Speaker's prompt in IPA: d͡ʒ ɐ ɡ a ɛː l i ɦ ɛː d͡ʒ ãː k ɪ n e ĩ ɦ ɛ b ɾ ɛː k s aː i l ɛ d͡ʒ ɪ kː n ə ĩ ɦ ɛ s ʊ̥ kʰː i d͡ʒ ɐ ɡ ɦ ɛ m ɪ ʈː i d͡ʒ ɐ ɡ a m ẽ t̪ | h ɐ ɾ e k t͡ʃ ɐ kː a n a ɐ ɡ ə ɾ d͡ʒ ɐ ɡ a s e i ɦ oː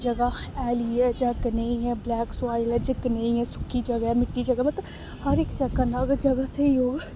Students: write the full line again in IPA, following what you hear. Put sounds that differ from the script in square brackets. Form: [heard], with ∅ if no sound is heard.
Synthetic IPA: d͡ʒ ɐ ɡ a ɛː l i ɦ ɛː d͡ʒ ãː k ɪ n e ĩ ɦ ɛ b [l] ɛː k s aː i l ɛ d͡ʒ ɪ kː n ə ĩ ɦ ɛ s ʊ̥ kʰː i d͡ʒ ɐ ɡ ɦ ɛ m ɪ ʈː i d͡ʒ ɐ ɡ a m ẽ t̪ | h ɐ ɾ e k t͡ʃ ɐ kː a n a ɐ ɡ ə ɾ d͡ʒ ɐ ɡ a s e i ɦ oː

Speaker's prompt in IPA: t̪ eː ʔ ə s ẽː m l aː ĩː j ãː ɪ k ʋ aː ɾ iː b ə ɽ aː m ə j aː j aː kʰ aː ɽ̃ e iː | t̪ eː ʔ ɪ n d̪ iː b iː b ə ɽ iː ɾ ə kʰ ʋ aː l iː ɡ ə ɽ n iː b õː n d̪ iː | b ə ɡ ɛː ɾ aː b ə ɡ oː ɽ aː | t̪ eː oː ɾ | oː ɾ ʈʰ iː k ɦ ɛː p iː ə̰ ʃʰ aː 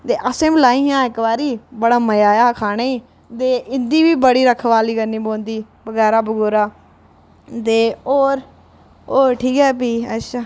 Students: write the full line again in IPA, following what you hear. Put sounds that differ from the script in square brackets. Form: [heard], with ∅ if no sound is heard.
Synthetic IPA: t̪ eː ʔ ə s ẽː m l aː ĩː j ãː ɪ k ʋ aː ɾ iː b ə ɽ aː m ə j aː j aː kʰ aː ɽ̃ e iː | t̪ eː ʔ ɪ n d̪ iː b iː b ə ɽ iː ɾ ə kʰ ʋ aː l iː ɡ ə [∅] n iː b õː n d̪ iː | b ə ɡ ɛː ɾ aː b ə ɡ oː [ɾ] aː | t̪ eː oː ɾ | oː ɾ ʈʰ iː k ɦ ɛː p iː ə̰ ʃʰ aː

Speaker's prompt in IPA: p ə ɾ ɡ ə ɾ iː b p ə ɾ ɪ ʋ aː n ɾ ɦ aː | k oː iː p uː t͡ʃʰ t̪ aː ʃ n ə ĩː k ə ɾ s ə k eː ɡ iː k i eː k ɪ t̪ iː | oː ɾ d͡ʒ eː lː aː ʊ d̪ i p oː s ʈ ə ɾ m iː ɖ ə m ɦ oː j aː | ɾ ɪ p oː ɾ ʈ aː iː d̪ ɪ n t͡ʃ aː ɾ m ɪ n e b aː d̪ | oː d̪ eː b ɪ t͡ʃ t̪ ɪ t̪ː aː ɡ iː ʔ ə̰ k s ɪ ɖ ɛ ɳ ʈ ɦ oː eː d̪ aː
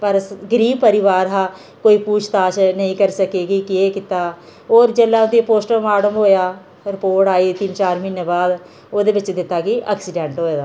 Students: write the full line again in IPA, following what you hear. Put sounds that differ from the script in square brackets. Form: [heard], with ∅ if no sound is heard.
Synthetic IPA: p ə ɾ ɡ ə ɾ iː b p ə ɾ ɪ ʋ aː [∅] ɾ ɦ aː | k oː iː p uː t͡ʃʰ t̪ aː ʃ n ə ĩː k ə ɾ s ə k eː ɡ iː k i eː k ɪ t̪ [aː] | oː ɾ d͡ʒ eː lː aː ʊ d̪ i p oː s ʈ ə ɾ m [aː] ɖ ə m ɦ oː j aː | ɾ ɪ p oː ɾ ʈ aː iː [t̪] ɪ n t͡ʃ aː ɾ m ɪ n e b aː d̪ | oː d̪ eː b ɪ t͡ʃ [d̪] ɪ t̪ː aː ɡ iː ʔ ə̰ k s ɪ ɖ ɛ ɳ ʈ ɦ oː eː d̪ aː

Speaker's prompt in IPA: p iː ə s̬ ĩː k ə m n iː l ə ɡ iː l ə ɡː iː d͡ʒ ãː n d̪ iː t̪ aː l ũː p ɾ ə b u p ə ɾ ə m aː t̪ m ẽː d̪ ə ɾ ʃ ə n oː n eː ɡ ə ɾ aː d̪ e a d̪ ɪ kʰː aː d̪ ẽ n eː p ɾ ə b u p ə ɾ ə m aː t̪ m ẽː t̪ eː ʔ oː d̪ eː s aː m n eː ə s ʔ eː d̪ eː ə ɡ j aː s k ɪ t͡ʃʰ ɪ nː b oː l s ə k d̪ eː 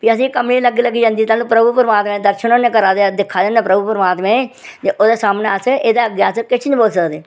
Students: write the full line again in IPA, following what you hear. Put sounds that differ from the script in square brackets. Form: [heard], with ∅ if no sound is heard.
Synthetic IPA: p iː ə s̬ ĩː k ə m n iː l ə ɡ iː l ə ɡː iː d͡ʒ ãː n d̪ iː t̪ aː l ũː p ɾ ə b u p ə ɾ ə m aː t̪ m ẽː d̪ ə ɾ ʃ ə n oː n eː [k] ə ɾ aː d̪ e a d̪ ɪ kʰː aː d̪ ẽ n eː p ɾ ə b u p ə ɾ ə m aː t̪ m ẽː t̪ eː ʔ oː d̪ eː s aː m n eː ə s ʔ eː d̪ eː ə ɡ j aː s k ɪ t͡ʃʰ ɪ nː b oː l s ə k d̪ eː

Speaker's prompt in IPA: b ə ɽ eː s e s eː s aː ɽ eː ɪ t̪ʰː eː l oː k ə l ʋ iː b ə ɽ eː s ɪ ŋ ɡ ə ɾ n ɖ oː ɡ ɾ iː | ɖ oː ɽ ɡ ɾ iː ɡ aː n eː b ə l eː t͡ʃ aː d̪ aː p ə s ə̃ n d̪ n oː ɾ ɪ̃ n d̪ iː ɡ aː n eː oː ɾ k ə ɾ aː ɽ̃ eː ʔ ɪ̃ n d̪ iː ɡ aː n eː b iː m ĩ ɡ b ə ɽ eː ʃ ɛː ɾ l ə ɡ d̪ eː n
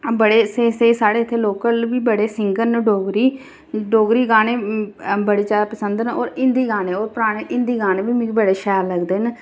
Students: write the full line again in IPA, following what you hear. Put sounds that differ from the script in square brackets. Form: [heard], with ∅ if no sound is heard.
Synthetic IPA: b ə ɽ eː s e s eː s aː ɽ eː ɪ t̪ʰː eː l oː k ə l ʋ iː b ə ɽ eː s ɪ ŋ ɡ ə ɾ n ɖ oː ɡ ɾ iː | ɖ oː [∅] ɡ ɾ iː ɡ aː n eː b ə [ɽ] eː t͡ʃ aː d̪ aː p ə s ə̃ n d̪ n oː ɾ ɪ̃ n d̪ iː ɡ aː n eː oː ɾ [p] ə ɾ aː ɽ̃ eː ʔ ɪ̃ n d̪ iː ɡ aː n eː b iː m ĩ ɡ b ə ɽ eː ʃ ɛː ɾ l ə ɡ d̪ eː n

